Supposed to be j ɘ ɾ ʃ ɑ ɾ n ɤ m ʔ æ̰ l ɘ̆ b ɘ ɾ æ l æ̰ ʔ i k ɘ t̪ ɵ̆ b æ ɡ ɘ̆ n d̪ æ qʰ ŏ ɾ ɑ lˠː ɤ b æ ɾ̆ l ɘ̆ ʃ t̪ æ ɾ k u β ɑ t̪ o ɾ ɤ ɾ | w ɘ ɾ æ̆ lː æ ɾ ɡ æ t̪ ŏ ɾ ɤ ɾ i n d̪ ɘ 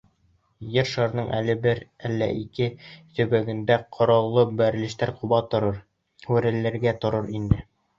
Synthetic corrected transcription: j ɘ ɾ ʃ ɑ ɾ n ɤ ɴ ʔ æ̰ l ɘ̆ b ɘ ɾ æ lː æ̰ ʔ i k ɘ t̪ ɵ̆ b æ ɡ ɘ̆ n d̪ æ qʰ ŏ ɾ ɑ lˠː ɤ b æ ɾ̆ l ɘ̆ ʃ t̪ æ ɾ q u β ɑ t̪ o ɾ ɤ ɾ | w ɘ ɾ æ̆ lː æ ɾ ɡ æ t̪ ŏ ɾ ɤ ɾ i n d̪ ɘ

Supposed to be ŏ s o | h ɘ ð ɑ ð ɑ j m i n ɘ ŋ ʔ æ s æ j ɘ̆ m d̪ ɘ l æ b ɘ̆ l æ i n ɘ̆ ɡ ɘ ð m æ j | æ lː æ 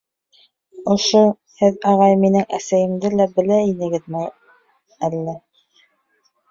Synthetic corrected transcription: ŏ ʃ o | h ɘ ð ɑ ʁ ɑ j m i n ɘ ŋ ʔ æ s æ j ɘ̆ m d̪ ɘ l æ b ɘ̆ l æ i n ɘ̆ ɡ ɘ ð m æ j | æ lː æ

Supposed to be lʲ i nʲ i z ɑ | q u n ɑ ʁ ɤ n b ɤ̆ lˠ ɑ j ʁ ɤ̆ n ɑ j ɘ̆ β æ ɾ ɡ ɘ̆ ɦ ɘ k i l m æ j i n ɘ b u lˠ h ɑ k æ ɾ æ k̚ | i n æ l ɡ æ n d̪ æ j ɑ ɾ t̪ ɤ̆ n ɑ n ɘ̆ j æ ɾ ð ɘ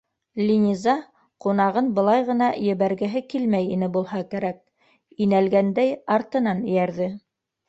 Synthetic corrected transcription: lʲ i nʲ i z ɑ | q u n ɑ ʁ ɤ n b ɤ̆ lˠ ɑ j ʁ ɤ̆ n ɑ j ɘ̆ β æ ɾ ɡ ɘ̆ ɦ ɘ k i l m æ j i n ɘ b u lˠ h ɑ k æ ɾ æ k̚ | i n æ l ɡ æ n d̪ æ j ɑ ɾ t̪ ɤ̆ n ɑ n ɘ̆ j æ ɾ ð ɘ

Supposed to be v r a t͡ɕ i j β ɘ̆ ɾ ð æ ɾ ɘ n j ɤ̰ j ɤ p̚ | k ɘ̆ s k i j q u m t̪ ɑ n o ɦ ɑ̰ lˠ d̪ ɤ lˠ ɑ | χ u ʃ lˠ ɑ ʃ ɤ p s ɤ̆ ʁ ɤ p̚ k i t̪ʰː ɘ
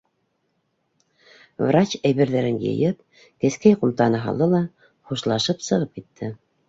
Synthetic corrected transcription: v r a t͡ɕ æ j β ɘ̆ ɾ ð æ ɾ ɘ n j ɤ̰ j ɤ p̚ | k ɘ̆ s k æ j q u m t̪ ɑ n ɤ ɦ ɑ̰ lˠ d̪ ɤ lˠ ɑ | χ u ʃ lˠ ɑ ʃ ɤ p s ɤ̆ ʁ ɤ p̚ k i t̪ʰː ɘ

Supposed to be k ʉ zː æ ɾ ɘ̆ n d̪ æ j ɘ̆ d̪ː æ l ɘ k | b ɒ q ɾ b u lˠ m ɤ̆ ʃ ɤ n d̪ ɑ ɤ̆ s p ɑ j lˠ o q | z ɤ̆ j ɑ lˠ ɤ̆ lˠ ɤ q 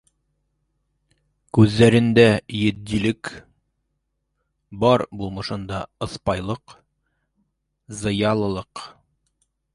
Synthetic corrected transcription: k ʉ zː æ ɾ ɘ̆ n d̪ æ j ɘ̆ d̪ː i l ɘ k | b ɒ ɾ b u lˠ m ɤ̆ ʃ ɤ n d̪ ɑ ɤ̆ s p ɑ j lˠ ɤ q | z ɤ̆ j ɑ lˠ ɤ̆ lˠ ɤ q

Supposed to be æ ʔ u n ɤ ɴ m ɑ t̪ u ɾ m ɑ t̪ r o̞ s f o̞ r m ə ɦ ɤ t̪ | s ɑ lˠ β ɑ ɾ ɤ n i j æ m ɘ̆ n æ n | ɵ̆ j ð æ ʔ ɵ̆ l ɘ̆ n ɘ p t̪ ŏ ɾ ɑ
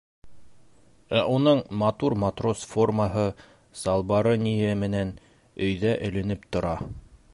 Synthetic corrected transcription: æ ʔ u n ɤ ɴ m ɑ t̪ u ɾ m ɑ t̪ r o̞ s f o̞ r m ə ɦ ɤ | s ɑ lˠ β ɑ ɾ ɤ n i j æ m ɘ̆ n æ n | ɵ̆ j ð æ ʔ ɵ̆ l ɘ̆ n ɘ p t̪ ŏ ɾ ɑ

